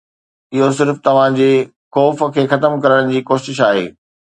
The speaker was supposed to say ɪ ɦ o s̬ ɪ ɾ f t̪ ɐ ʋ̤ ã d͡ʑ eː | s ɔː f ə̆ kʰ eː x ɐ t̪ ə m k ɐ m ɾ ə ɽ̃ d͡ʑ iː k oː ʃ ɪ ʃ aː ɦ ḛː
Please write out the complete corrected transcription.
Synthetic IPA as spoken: ɪ ɦ o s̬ ɪ ɾ f t̪ ɐ ʋ̤ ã d͡ʑ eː | x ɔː f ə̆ kʰ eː x ɐ t̪ ə m k ɐ ɾ ə ɽ̃ d͡ʑ iː k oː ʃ ɪ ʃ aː ɦ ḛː